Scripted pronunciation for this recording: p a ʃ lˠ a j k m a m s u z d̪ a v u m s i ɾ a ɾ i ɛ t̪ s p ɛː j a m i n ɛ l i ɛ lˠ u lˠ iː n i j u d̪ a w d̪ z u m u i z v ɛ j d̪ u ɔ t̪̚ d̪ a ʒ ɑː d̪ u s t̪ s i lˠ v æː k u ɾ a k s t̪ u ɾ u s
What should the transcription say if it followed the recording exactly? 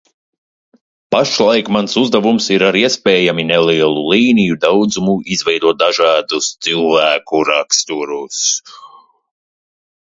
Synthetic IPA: p a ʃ lˠ a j k m a n s u z d̪ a v u m s i ɾ a ɾ i ɛ s p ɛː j a m i n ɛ l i ɛ lˠ u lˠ iː n i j u d̪ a w d̪ z u m u i z v ɛ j d̪ u ɔ t̪̚ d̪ a ʒ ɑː d̪ u s t̪ s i lˠ v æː k u ɾ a k s t̪ u ɾ u s